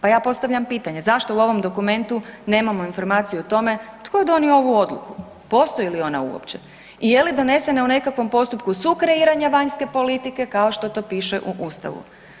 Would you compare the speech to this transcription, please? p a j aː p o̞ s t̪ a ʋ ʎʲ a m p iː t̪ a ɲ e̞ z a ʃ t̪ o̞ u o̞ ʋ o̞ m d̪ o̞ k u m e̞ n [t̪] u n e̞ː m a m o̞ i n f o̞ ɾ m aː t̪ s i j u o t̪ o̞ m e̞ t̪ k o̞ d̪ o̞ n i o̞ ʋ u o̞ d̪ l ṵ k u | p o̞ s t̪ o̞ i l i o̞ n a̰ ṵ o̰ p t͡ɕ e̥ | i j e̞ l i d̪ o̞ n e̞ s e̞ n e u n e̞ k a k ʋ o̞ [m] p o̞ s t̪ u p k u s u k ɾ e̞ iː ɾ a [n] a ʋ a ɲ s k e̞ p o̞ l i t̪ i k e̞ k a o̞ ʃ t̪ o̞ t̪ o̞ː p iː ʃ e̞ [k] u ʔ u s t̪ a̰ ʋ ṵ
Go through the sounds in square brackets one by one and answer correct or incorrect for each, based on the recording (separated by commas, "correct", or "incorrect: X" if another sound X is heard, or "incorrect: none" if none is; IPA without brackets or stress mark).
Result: correct, correct, incorrect: ɲ, incorrect: ʔ